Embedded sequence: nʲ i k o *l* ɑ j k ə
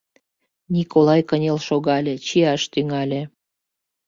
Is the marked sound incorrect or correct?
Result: correct